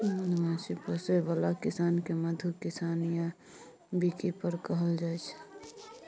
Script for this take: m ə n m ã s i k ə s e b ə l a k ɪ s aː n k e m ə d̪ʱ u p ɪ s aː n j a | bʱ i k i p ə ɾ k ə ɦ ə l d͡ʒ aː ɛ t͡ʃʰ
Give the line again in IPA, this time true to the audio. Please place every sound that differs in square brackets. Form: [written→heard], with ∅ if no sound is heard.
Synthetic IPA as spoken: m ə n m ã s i [k→p] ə s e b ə l a k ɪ s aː n k e m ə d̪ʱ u [p→k] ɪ s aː n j a | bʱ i k i p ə ɾ k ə ɦ ə l d͡ʒ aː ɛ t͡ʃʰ